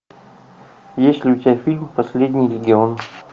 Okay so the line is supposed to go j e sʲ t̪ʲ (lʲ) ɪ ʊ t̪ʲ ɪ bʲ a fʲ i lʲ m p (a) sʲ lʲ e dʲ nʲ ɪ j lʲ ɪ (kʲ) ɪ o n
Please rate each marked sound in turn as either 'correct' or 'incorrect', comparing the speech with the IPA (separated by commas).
correct, incorrect, incorrect